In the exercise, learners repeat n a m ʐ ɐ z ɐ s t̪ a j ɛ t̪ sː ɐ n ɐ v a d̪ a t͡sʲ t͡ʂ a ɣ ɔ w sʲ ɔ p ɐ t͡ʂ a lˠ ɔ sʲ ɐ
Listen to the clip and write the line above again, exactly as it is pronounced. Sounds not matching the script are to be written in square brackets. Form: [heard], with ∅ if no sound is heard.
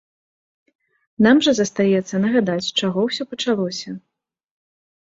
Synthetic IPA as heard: n a m ʐ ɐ z ɐ s t̪ a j ɛ t̪ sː ɐ n ɐ [ɣ] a d̪ a t͡sʲ t͡ʂ a ɣ ɔ w sʲ ɔ p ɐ t͡ʂ a lˠ ɔ sʲ ɐ